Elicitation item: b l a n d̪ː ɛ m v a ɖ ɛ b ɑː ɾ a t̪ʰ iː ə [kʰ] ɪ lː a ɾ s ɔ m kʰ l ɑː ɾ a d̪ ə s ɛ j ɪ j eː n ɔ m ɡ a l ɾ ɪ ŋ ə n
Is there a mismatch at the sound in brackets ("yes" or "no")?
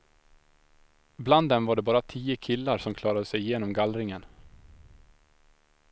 no